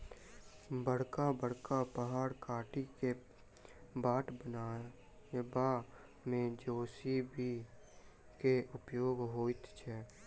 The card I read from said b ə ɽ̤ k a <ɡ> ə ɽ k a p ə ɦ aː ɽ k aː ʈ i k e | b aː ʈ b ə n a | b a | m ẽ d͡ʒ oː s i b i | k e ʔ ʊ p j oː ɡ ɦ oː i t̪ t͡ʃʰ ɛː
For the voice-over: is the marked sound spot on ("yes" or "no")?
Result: no